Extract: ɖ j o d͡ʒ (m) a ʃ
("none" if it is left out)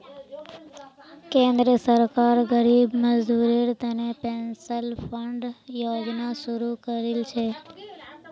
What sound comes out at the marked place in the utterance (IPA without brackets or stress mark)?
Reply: n